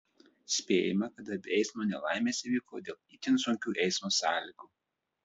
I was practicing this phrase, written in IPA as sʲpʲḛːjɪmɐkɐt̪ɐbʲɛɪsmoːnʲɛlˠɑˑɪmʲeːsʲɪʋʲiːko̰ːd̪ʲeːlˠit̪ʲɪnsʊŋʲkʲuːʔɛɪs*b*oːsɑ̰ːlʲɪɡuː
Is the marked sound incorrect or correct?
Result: incorrect